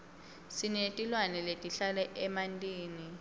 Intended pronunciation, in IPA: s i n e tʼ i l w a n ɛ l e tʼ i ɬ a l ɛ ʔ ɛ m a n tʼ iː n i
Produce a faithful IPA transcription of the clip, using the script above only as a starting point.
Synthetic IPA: s i n e tʼ i l w a n ɛ l e tʼ i ɬ a l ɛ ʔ ɛ m a n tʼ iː n i

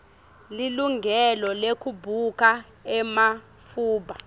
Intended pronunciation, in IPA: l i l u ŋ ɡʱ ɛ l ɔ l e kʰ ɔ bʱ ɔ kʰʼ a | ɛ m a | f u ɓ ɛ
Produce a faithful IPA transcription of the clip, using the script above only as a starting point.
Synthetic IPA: l i l u ŋ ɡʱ ɛ l ɔ l e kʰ u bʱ u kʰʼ a | ɛ m a | f uː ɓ a

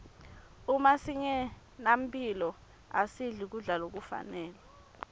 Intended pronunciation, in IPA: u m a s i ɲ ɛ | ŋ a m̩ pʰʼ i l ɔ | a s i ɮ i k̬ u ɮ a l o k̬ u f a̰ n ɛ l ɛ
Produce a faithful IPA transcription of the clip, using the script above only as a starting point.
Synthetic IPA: u m a s i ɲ ɛ | n a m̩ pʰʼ i l ɔ | a s i ɮ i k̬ u ɮ a l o k̬ u f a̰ n ɛː l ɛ

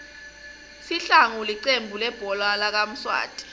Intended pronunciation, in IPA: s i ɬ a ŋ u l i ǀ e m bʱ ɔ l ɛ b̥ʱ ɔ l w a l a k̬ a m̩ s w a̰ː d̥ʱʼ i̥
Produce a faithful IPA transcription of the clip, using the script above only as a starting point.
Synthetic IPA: s i ɬ a ŋ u l i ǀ e m bʱ u l ɛ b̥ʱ ɔ l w a l a k̬ a m̩ s w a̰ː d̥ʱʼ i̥

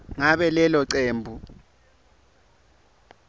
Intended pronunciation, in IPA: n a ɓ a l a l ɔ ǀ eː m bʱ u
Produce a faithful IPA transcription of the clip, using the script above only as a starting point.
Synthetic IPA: ŋ a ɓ ɛ l ɛ l ɔ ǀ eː m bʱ u

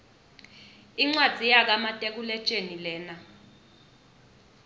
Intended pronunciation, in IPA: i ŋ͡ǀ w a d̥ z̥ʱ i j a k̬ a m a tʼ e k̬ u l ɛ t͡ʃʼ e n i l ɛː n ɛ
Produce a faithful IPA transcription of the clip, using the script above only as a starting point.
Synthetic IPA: i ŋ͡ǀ w a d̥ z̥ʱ i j a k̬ a m a tʼ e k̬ u l ɛ t͡ʃʼ e n i l ɛː n a

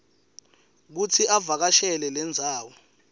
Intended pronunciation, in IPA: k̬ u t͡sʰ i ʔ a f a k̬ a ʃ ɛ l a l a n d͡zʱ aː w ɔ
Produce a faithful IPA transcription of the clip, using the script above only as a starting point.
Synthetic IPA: k̬ u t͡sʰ i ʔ a v a k̬ a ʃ ɛ l ɛ l ɛ n d͡zʱ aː w ɔ

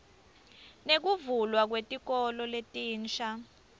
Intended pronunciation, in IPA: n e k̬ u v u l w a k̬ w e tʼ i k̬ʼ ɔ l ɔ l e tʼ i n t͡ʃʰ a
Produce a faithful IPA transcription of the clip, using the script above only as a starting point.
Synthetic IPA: n e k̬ u v u l w a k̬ w e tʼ i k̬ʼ ɔ l ɔ l e tʼ iː n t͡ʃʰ a

